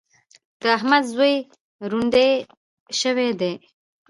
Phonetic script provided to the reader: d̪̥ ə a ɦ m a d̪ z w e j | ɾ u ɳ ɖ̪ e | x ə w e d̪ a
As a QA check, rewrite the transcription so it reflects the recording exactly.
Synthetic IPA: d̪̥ ə a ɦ m a d̪ z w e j | ɾ u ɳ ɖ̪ e | ʃ ə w e d̪ e